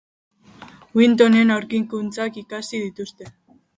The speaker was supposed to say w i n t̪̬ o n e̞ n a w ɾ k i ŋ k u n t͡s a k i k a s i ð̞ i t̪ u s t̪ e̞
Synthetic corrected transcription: w i n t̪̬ o n e̞ n a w ɾ k i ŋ k u n t͡s a k i k a s i ð̞ i t̪ u s t̪ e̞